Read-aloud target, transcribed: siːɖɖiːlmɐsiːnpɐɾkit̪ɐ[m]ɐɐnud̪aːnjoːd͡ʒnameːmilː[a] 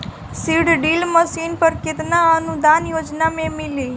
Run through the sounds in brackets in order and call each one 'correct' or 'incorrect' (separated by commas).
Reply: incorrect, incorrect